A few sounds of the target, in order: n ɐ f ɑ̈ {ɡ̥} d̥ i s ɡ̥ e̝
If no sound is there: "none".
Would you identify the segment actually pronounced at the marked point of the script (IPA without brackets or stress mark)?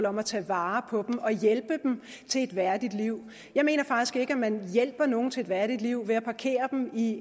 ɡ̥